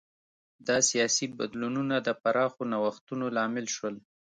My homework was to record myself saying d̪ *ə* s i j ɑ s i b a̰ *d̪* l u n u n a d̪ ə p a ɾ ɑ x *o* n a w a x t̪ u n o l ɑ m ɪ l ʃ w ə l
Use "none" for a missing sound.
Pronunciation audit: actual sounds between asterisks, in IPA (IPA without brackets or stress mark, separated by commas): ɑ, d̪, o